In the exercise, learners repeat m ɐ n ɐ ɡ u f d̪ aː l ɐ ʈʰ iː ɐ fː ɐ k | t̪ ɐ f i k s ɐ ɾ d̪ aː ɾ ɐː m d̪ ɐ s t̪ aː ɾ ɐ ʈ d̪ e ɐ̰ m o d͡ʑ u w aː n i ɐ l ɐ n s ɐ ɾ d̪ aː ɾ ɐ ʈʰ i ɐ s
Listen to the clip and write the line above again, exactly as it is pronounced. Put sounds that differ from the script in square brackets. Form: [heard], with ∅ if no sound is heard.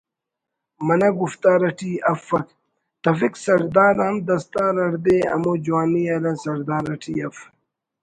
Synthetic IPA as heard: m ɐ n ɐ ɡ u f [t̪] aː [ɾ] ɐ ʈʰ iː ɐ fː ɐ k | t̪ ɐ f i k s ɐ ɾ d̪ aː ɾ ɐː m d̪ ɐ s t̪ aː ɾ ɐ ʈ d̪ e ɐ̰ m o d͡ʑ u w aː n i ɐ l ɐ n s ɐ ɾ d̪ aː ɾ ɐ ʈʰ i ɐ [f]